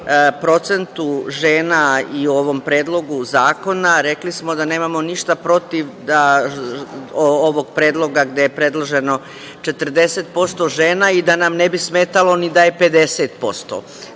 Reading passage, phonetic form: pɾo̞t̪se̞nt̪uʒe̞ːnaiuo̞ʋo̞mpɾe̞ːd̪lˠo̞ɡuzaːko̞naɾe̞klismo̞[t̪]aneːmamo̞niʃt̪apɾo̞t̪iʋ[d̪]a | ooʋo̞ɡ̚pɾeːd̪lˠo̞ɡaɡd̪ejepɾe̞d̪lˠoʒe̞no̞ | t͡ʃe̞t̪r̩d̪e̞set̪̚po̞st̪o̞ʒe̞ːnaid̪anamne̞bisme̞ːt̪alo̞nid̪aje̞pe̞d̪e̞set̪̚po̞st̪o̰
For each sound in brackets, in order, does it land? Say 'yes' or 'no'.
no, yes

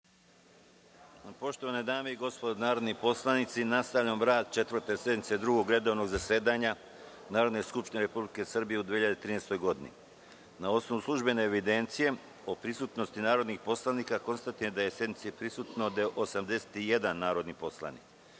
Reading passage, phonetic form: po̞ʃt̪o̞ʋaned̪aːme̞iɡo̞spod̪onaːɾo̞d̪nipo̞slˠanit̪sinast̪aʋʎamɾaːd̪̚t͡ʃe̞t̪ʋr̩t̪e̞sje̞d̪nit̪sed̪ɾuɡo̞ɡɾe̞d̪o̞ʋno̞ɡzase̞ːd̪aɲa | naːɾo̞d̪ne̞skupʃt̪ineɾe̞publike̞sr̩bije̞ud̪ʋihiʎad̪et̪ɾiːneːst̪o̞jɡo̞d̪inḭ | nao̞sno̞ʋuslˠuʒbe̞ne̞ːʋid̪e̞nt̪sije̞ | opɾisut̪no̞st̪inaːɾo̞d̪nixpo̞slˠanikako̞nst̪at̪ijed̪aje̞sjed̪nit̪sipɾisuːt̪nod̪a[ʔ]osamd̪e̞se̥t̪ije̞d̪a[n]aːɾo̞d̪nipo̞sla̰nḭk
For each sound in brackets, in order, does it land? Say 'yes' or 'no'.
yes, no

